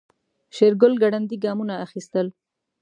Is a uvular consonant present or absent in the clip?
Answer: absent